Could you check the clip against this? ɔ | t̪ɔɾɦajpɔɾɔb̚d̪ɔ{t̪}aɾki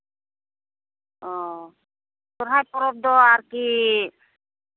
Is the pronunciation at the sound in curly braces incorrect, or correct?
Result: incorrect